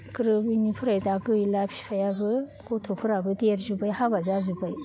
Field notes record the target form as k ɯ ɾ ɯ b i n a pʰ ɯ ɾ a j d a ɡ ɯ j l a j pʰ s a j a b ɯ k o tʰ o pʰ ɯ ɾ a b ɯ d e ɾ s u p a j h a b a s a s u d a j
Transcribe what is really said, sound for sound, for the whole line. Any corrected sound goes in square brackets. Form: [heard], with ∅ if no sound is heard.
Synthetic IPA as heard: k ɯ ɾ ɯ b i n [i] pʰ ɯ ɾ a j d a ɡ ɯ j l a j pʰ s a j a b ɯ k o tʰ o pʰ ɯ ɾ a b ɯ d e ɾ [z] u [b] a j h a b a [z] a [z] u [b] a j